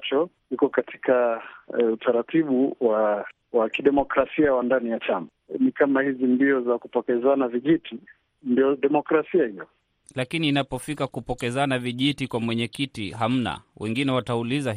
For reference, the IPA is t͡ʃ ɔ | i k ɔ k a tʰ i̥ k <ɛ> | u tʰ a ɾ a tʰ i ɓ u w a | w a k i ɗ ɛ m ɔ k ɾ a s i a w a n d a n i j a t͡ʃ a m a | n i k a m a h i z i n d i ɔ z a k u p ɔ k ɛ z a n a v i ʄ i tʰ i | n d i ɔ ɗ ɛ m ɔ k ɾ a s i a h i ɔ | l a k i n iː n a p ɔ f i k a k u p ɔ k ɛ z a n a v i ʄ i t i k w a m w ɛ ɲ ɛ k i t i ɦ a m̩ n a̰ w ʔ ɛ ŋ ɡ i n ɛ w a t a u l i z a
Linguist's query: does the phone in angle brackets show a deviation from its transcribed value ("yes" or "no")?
yes